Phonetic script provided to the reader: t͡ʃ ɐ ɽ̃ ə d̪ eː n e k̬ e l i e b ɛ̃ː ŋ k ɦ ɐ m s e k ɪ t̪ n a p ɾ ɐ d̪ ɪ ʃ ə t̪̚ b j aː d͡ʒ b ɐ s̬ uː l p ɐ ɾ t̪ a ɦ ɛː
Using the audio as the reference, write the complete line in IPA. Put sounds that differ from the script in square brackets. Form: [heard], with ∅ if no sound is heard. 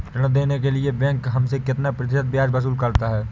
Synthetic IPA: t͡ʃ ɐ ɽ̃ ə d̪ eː n e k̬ e l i e b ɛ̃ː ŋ k ɦ ɐ m s e k ɪ t̪ n a p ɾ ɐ [t̪] ɪ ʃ ə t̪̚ b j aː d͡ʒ b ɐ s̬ uː l [k] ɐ ɾ t̪ a ɦ ɛː